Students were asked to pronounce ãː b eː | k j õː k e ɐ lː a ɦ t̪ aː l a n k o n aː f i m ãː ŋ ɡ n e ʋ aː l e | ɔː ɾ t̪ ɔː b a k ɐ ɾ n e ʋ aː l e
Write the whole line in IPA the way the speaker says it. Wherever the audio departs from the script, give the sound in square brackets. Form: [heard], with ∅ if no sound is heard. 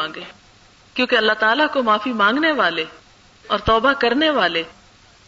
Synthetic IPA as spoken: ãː [ɡ] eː | k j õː k e ɐ lː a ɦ t̪ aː l a [∅] k o [m] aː f i m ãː ŋ ɡ n e ʋ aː l e | ɔː ɾ t̪ ɔː b a k ɐ ɾ n e ʋ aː l e